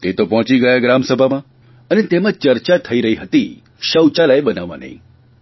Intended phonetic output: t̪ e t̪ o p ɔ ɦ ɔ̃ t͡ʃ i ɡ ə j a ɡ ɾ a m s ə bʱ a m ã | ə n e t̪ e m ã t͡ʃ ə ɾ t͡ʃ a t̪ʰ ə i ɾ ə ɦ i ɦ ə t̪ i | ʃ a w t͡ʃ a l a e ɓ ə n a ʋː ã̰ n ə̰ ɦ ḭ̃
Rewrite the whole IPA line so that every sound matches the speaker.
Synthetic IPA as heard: t̪ e t̪ o p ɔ ɦ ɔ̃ t͡ʃ i ɡ ə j a ɡ ɾ a m s ə bʱ a m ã | ə n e t̪ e m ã t͡ʃ ə ɾ t͡ʃ a t̪ʰ ə i ɾ ə ɦ i ɦ ə t̪ i | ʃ ə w t͡ʃ a l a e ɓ ə n a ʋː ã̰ n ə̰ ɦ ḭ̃